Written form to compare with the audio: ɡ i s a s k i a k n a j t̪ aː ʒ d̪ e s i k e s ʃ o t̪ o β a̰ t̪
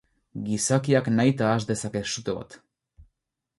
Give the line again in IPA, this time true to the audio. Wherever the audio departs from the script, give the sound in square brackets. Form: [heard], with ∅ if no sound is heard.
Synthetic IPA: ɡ i s a [∅] k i a k n a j t̪ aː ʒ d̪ e s [a] k e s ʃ [u] t̪ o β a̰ t̪